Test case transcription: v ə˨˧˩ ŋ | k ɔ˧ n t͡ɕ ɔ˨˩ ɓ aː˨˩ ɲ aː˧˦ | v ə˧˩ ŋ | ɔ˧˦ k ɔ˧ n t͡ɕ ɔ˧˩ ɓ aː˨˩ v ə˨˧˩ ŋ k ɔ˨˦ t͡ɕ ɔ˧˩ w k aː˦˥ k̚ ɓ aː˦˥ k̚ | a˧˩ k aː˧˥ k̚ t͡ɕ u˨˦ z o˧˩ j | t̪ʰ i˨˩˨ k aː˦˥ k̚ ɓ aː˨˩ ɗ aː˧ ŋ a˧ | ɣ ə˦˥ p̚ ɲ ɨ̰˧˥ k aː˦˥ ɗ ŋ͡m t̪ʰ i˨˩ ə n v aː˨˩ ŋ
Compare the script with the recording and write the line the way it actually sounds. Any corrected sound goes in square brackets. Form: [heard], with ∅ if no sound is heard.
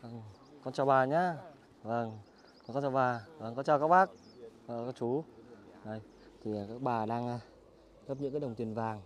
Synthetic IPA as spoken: v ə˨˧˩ ŋ | k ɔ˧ n t͡ɕ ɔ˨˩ ɓ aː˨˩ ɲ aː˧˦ | v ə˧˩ ŋ | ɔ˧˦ k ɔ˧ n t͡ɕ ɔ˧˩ ɓ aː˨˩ v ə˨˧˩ ŋ k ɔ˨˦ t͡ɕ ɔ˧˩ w k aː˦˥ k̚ ɓ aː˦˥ k̚ | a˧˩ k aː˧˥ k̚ t͡ɕ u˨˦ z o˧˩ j | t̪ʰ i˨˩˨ k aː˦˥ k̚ ɓ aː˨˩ ɗ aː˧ ŋ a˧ | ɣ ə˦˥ p̚ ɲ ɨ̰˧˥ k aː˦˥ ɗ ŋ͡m [t̪] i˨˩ ə n v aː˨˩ ŋ

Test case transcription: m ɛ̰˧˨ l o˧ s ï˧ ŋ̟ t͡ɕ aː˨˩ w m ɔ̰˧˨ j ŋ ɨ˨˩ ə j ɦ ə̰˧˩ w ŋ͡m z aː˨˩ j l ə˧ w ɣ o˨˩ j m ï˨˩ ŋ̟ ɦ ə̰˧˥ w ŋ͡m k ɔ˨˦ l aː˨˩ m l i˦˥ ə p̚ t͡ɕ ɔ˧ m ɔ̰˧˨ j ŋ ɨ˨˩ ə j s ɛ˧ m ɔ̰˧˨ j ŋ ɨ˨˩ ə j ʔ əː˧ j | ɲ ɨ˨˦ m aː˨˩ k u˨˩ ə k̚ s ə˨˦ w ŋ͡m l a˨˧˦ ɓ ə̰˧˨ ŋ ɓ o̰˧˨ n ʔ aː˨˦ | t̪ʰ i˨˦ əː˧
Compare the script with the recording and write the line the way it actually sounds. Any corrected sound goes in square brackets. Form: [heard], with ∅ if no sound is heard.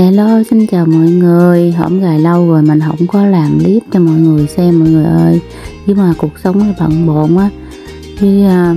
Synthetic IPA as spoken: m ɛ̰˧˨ l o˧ s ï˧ ŋ̟ t͡ɕ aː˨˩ w m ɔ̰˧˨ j ŋ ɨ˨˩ ə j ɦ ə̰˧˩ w ŋ͡m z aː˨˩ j l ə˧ w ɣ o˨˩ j m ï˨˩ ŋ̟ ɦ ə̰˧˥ w ŋ͡m k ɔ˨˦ l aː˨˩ m l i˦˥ ə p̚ t͡ɕ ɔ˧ m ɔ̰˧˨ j ŋ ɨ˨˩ ə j s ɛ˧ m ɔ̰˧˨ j ŋ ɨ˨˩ ə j ʔ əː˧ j | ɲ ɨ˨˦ m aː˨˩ k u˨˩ ə k̚ s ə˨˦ w ŋ͡m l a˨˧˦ ɓ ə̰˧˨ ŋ ɓ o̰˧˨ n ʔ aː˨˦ | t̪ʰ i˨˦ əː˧

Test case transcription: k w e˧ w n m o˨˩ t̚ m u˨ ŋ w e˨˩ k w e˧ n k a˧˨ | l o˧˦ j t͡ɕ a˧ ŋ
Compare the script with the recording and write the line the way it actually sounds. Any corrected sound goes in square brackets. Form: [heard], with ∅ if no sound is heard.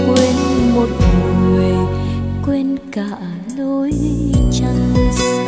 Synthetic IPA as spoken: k w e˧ [∅] n m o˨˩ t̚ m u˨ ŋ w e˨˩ k w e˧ n k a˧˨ | l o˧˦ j t͡ɕ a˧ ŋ

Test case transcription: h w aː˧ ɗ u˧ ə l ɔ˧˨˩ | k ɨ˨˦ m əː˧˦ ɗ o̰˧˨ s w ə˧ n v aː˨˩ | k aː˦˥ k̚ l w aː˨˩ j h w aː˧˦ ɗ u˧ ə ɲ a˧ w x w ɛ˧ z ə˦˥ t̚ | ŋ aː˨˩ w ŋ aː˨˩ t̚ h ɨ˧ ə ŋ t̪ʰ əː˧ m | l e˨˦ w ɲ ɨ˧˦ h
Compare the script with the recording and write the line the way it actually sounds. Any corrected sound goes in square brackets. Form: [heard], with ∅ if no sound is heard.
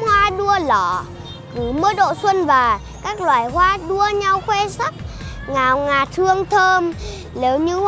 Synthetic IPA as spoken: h w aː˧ ɗ u˧ ə l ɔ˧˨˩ | k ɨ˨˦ m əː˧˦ ɗ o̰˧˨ s w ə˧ n v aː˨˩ | k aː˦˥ k̚ l w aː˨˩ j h w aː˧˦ ɗ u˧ ə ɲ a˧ w x w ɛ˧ [s] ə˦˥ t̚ | ŋ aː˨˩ w ŋ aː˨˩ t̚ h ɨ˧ ə ŋ t̪ʰ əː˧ m | l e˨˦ w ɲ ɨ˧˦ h

